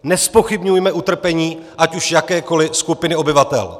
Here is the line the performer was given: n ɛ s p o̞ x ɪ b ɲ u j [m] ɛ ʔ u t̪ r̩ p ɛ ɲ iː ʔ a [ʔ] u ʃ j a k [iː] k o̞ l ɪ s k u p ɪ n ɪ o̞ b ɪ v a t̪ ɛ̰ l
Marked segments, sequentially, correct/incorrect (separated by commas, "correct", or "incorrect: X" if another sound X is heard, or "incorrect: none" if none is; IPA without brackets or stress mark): correct, incorrect: c, incorrect: ɛː